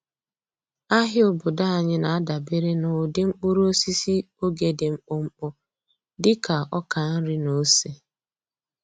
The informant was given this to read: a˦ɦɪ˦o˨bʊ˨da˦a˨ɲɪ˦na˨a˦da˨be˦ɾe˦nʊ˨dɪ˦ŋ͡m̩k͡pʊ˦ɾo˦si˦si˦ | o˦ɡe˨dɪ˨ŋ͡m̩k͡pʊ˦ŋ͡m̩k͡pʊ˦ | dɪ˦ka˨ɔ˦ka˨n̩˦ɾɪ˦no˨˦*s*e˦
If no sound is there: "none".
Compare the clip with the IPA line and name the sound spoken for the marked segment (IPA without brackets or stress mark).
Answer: s